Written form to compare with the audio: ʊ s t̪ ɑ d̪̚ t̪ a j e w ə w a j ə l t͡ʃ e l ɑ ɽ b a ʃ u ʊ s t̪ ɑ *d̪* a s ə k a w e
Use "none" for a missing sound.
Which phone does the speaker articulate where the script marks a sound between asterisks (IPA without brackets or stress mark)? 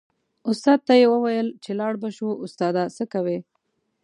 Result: d̪